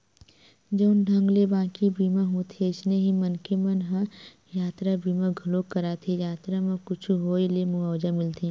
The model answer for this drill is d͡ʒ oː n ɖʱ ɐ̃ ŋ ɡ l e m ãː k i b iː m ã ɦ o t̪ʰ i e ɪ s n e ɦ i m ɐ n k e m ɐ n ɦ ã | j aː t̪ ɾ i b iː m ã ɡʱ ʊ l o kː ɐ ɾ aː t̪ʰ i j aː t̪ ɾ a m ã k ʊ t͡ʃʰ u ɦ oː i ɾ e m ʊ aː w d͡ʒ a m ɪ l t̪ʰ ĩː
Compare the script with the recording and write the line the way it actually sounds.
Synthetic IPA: d͡ʒ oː n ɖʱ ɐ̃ ŋ ɡ l e b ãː k i b iː m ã ɦ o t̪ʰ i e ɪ s n e ɦ i m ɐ n k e m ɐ n ɦ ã | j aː t̪ ɾ a b iː m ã ɡʱ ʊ l o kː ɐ ɾ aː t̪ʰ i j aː t̪ ɾ a m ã k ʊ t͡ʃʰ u ɦ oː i l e m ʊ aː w d͡ʒ a m ɪ l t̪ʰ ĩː

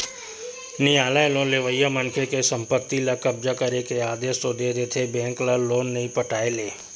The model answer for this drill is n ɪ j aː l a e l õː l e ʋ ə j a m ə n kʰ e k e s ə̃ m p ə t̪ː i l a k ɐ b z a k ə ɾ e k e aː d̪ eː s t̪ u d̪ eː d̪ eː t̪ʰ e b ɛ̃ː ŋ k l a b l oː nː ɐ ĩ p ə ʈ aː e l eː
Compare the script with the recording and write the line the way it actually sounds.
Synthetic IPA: n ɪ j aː l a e l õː l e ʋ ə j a m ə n kʰ e k e s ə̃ m p ə t̪ː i l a k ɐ b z a k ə ɾ e k e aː d̪ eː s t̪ o d̪ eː d̪ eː t̪ʰ e b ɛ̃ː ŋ k l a l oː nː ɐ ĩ p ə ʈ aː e l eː

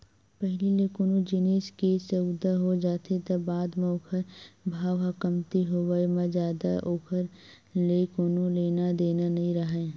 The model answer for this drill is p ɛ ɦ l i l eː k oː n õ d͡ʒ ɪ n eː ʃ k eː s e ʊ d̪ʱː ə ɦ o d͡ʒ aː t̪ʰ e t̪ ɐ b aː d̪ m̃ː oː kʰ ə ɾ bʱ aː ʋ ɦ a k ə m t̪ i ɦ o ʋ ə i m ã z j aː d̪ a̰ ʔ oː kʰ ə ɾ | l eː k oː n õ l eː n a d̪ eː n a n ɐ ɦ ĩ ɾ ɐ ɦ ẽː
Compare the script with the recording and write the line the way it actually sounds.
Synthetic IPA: p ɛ ɦ l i l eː k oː n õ d͡ʒ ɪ n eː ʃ k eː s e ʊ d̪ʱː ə ɦ o d͡ʒ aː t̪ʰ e t̪ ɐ b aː d̪ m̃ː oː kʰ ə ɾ bʱ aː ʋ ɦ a k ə m t̪ i ɦ o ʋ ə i m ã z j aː d̪ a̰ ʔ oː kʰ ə ɾ | l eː k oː n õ l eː n a d̪ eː n a n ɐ ɦ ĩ ɾ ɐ ɦ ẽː

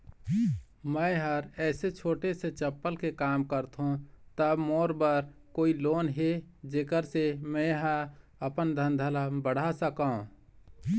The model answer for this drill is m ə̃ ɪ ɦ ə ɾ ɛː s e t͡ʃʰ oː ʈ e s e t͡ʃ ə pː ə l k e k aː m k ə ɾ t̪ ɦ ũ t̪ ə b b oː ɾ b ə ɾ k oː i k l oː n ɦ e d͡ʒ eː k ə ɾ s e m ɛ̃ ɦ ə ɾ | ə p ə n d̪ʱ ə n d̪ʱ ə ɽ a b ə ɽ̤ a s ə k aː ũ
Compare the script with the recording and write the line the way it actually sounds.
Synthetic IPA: m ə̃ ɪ ɦ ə ɾ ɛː s e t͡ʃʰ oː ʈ e s e t͡ʃ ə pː ə l k e k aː m k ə ɾ t̪ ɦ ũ t̪ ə b m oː ɾ b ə ɾ k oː i l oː n ɦ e d͡ʒ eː k ə ɾ s e m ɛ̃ ɦ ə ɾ | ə p ə n d̪ʱ ə n d̪ʱ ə l a b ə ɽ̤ a s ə k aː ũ

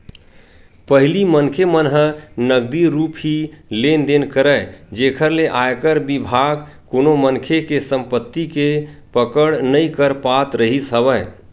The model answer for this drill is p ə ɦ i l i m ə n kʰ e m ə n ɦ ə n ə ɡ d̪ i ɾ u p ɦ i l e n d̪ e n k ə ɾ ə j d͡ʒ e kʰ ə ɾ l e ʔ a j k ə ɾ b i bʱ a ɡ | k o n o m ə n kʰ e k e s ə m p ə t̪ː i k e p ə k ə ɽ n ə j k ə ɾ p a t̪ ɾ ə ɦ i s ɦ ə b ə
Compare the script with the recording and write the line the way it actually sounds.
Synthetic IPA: p ə ɦ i l i m ə n kʰ e m ə n ɦ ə n ə ɡ d̪ i ɾ u p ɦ i l e n d̪ e n k ə ɾ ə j d͡ʒ e kʰ ə ɾ l e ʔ a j k ə ɾ b i bʱ a ɡ | k o n o m ə n kʰ e k e s ə m p ə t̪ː i k e p ə k ə ɽ n ə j k ə ɾ p a t̪ ɾ ə ɦ i s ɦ ə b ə

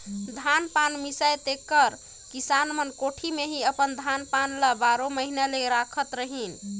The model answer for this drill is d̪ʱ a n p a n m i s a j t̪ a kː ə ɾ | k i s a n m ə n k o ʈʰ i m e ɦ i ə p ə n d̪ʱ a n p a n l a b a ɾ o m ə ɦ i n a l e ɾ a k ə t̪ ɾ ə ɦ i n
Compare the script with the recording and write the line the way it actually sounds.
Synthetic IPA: d̪ʱ a n p a n m i s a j t̪ e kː ə ɾ | k i s a n m ə n k o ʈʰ i m e ɦ i ə p ə n d̪ʱ a n p a n l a b a ɾ o m ə ɦ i n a l e ɾ a kʰ ə t̪ ɾ ə ɦ i n

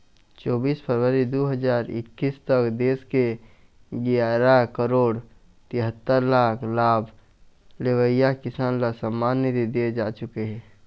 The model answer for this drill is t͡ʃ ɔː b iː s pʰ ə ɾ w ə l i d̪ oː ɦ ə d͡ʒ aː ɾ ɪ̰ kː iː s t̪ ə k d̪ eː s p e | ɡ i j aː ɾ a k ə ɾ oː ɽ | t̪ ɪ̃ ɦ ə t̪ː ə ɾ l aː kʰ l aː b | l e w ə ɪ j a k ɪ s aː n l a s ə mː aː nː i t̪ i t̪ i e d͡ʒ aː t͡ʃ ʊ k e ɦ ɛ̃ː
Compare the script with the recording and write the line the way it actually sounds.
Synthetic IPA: t͡ʃ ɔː b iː s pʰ ə ɾ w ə ɾ i d̪ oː ɦ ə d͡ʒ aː ɾ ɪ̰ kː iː s t̪ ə k d̪ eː s k e | ɡ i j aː ɾ a k ə ɾ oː ɽ | t̪ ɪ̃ ɦ ə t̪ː ə ɾ l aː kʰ l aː b | l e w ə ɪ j a k ɪ s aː n l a s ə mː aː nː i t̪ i d̪ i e d͡ʒ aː t͡ʃ ʊ k e ɦ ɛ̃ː

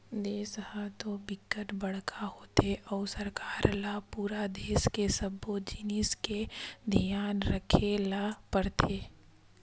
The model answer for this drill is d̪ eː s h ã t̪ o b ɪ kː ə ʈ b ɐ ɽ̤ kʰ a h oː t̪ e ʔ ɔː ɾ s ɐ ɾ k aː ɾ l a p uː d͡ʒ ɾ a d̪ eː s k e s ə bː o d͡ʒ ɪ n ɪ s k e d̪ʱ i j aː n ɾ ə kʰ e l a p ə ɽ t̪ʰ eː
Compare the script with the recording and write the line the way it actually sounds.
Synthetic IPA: d̪ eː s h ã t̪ o b ɪ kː ə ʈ b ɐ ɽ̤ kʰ a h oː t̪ e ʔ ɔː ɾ s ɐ ɾ k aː ɾ l a p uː ɾ a d̪ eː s k e s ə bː o d͡ʒ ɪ n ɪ s k e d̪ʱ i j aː n ɾ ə kʰ e l a p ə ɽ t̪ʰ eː

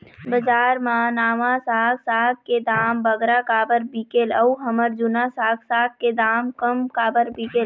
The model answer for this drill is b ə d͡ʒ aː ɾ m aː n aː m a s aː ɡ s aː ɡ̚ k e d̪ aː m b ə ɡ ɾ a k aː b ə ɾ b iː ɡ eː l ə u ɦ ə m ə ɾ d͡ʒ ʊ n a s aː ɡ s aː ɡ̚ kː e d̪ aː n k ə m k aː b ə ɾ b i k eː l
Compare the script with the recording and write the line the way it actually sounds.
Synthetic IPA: b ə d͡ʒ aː ɾ m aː n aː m a s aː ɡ s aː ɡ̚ k e d̪ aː m b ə ɡ ɾ a k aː b ə ɾ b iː k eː l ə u ɦ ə m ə ɾ d͡ʒ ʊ n a s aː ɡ s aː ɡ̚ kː e d̪ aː m k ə m k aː b ə ɾ b i k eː l

